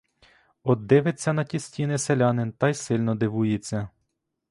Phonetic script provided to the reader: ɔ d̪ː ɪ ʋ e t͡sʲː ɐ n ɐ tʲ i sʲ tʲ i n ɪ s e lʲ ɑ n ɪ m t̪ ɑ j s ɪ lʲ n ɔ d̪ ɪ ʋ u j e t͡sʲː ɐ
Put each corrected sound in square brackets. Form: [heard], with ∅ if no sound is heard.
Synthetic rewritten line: ɔ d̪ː ɪ ʋ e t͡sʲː ɐ n ɐ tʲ i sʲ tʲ i n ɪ s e lʲ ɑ n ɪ [n] t̪ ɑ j s ɪ lʲ n ɔ d̪ ɪ ʋ u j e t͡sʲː ɐ